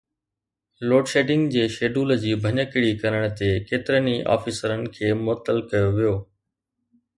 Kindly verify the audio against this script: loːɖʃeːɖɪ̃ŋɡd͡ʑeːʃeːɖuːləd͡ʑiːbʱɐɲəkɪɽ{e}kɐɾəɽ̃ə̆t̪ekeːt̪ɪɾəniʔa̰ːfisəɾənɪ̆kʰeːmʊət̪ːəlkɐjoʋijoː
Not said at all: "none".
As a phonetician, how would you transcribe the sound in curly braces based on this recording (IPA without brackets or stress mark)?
i